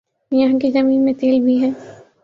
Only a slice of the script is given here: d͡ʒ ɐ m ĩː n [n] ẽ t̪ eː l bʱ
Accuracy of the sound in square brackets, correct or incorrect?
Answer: incorrect